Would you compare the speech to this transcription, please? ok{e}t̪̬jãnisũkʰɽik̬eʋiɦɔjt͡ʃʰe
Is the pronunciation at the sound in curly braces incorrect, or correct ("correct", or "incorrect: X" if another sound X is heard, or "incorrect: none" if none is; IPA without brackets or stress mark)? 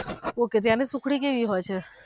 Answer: correct